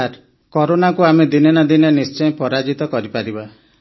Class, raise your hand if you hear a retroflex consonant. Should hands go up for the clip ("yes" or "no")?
no